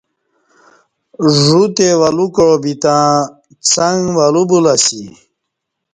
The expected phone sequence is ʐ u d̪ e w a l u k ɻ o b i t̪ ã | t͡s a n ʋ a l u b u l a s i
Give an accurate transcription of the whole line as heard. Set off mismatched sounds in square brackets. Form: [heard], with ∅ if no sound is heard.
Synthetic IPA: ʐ u [t̪] e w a l u k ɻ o b i t̪ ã | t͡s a [ŋ] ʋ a l u b u l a s i